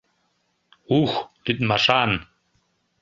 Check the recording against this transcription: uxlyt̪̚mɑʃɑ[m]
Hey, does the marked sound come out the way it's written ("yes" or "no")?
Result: no